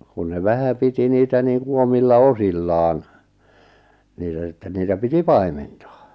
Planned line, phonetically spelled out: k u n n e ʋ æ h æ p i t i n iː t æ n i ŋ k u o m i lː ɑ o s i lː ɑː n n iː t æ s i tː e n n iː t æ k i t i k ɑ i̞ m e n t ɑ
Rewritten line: k u n n e ʋ æ h æ p i t i n iː t æ n iː ŋ k u o m i lː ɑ o s i lː ɑː n n iː t æ s i tː e n n iː t æ p i t i p ɑ i̞ m e n t ɑ